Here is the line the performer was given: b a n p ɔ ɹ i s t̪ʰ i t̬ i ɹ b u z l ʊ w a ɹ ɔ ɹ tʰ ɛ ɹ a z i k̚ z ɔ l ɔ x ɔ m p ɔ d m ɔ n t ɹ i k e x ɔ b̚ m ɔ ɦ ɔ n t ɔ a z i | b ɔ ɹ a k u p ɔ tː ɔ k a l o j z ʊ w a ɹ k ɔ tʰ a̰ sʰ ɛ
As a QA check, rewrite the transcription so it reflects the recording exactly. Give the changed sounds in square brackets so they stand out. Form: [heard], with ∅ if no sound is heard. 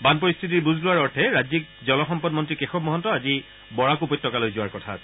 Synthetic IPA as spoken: b a n p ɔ ɹ i s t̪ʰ i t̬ i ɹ b u z l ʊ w a ɹ ɔ ɹ tʰ ɛ ɹ a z i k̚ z ɔ l ɔ x ɔ m p ɔ d m ɔ n t ɹ i k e x ɔ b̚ m ɔ ɦ ɔ n t ɔ a z i | b ɔ ɹ a k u p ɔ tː ɔ k a l o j z ʊ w a ɹ k ɔ tʰ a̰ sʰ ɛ